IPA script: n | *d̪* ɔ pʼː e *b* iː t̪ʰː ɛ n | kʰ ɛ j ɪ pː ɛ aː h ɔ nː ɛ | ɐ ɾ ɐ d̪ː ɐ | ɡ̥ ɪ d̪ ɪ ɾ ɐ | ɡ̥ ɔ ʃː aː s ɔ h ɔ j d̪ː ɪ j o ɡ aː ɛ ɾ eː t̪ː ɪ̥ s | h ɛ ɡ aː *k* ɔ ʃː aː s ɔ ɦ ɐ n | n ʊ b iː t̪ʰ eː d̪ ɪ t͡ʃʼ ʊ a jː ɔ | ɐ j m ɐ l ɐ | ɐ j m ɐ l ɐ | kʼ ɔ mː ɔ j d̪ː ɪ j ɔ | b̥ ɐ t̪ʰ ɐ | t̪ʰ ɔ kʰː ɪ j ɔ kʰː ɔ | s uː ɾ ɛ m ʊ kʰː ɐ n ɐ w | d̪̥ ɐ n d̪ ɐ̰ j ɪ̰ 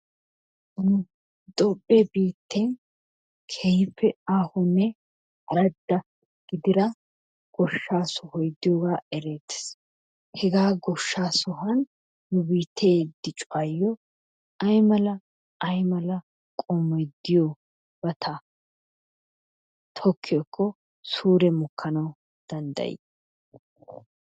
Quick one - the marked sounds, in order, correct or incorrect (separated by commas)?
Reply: correct, correct, incorrect